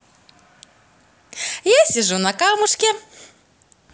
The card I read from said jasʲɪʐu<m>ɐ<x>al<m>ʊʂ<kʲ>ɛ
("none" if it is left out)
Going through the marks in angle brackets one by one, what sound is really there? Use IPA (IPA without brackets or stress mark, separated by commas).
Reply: n, k, m, kʲ